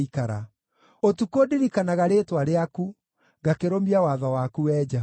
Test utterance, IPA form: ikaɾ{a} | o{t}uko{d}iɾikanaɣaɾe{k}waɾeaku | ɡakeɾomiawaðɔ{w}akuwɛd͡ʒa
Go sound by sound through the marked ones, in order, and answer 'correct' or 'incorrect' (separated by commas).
correct, correct, correct, incorrect, correct